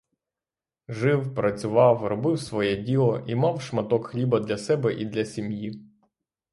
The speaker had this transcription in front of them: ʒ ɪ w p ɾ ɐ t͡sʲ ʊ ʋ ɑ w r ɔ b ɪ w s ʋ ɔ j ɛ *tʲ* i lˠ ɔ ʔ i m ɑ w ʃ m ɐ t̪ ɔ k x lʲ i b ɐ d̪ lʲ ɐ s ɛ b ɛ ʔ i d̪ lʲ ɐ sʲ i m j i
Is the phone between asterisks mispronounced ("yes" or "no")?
yes